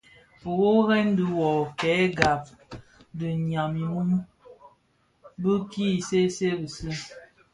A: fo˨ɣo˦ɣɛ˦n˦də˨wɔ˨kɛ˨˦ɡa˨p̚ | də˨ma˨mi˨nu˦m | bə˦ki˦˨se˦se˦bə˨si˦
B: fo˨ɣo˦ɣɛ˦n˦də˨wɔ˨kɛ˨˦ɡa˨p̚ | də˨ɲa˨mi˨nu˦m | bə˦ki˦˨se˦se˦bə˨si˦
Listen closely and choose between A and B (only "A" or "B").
B